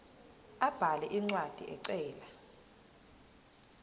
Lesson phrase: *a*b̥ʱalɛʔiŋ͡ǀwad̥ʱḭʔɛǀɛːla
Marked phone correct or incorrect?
correct